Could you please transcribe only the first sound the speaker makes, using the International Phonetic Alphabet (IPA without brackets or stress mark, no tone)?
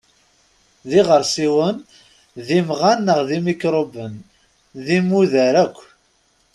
ð